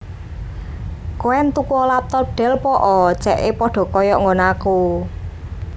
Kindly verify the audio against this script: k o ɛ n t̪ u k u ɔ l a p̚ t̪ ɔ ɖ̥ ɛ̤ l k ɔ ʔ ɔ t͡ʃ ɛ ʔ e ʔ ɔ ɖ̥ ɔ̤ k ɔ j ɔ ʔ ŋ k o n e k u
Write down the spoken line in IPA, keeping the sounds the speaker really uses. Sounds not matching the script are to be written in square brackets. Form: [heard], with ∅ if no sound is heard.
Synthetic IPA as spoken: k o ɛ n t̪ u k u ɔ l a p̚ t̪ ɔ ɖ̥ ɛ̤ l [p] ɔ ʔ ɔ t͡ʃ ɛ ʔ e [p] ɔ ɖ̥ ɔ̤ k ɔ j ɔ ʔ ŋ [ɡ] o n [a] k u